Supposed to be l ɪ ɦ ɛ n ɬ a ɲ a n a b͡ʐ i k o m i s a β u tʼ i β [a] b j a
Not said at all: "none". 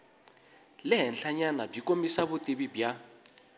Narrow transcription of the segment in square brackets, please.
i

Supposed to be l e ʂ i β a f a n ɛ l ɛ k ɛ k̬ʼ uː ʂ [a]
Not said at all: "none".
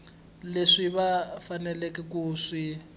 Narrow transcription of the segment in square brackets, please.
i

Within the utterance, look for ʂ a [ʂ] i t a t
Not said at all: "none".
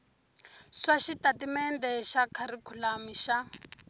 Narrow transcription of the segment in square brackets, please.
ʃ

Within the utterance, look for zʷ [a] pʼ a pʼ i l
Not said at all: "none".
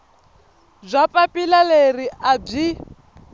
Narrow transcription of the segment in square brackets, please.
a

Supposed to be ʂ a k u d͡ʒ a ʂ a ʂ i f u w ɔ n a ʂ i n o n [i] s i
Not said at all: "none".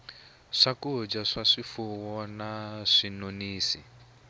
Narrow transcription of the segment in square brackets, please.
iː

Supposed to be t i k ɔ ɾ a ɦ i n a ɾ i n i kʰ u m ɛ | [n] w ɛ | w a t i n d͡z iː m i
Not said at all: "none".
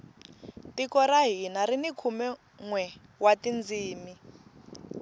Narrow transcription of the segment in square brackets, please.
ŋ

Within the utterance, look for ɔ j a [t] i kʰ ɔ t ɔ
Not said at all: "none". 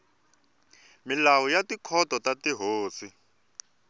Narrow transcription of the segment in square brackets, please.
t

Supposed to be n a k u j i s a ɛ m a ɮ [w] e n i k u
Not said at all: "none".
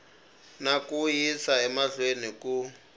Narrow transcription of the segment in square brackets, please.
w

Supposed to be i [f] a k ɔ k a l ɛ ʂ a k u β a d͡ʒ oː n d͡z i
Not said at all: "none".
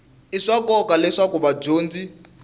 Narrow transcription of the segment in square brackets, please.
ʂ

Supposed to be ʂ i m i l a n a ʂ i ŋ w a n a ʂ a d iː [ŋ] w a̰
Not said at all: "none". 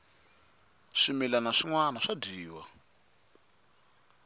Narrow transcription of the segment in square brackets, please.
none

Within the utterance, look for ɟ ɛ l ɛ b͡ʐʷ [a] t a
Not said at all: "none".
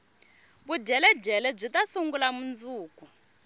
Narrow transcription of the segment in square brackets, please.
i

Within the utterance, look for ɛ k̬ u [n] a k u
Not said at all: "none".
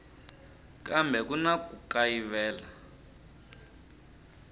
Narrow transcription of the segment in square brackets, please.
n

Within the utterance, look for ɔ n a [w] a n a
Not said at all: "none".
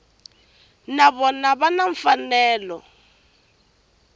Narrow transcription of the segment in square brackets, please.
β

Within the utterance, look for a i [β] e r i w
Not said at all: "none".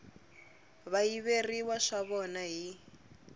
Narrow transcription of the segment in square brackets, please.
β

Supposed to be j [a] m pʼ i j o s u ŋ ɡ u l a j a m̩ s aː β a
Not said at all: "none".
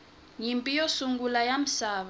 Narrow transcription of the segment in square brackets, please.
i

